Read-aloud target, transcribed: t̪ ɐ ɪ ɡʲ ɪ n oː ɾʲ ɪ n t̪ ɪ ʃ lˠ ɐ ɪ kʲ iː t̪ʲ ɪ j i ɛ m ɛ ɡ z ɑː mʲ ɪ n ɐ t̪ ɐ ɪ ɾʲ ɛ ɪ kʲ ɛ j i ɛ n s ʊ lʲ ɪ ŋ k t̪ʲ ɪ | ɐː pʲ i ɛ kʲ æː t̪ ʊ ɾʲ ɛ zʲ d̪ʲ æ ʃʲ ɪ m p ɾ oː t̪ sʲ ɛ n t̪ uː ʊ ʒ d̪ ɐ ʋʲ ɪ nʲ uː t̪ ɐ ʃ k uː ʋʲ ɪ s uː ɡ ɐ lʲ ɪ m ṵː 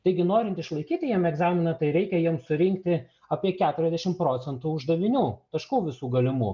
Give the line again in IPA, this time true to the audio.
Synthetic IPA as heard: t̪ ɐ ɪ ɡʲ ɪ n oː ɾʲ ɪ n t̪ ɪ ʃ lˠ ɐ ɪ kʲ iː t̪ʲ ɪ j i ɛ m ɛ ɡ z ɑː mʲ ɪ n ɐ t̪ ɐ ɪ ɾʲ ɛ ɪ kʲ ɛ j i ɛ m s ʊ ɾʲ ɪ ŋ k t̪ʲ ɪ | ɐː pʲ i ɛ kʲ æː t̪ ʊ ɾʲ ɛ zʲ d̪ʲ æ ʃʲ ɪ m p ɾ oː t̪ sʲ ɛ n t̪ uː ʊ ʒ d̪ ɐ ʋʲ ɪ nʲ uː t̪ ɐ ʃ k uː ʋʲ ɪ s uː ɡ ɐ lʲ ɪ m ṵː

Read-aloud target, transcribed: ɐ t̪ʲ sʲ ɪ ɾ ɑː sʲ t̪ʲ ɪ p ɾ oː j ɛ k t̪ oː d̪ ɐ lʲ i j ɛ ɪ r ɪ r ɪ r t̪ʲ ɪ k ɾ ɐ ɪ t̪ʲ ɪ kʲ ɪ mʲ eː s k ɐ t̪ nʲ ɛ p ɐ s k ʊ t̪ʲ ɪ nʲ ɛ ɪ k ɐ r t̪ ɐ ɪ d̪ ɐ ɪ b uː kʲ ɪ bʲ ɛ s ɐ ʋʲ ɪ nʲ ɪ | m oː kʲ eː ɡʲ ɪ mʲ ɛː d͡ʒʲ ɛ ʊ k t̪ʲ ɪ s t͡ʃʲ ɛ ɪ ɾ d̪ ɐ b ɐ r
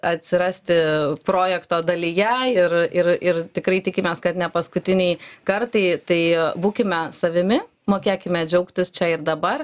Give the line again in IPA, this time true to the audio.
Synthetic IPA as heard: ɐ t̪ʲ sʲ ɪ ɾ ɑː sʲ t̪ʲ ɪ p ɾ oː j ɛ k t̪ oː d̪ ɐ lʲ i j ɛ ɪ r ɪ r ɪ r t̪ʲ ɪ k ɾ ɐ ɪ t̪ʲ ɪ kʲ ɪ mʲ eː s k ɐ t̪ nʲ ɛ p ɐ s k ʊ t̪ʲ ɪ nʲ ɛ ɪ k ɐ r t̪ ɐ ɪ t̪ ɐ ɪ b uː kʲ ɪ mʲ ɛ s ɐ ʋʲ ɪ mʲ ɪ | m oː kʲ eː kʲ ɪ mʲ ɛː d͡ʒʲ ɛ ʊ k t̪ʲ ɪ s t͡ʃʲ ɛ ɪ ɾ d̪ ɐ b ɐ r

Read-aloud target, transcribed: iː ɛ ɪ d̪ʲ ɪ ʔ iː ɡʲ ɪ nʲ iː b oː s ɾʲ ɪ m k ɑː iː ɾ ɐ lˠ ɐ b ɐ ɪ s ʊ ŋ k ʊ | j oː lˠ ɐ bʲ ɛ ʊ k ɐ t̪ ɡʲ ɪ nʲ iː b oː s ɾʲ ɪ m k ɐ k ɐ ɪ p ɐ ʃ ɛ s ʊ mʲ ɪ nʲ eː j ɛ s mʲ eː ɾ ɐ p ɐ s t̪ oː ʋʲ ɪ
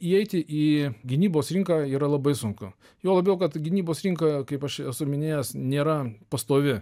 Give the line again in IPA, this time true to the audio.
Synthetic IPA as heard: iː ɛ ɪ t̪ʲ ɪ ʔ iː ɡʲ ɪ nʲ iː b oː s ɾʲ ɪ ŋ k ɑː iː ɾ ɐ lˠ ɐ b ɐ ɪ s ʊ ŋ k ʊ | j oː lˠ ɐ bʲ ɛ ʊ k ɐ t̪ ɡʲ ɪ nʲ iː b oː s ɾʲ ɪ ŋ k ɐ k ɐ ɪ p ɐ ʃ ɛ s ʊ mʲ ɪ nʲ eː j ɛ s nʲ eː ɾ ɐ p ɐ s t̪ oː ʋʲ ɪ

